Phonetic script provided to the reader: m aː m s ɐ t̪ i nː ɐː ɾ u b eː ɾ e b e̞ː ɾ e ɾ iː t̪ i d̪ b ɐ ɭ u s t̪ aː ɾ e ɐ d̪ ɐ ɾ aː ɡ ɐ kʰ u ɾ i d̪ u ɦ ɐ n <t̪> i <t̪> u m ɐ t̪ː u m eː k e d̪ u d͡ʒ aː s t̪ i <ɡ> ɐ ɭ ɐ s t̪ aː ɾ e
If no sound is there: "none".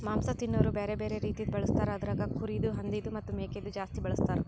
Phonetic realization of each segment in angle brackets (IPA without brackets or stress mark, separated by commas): d̪, d̪, b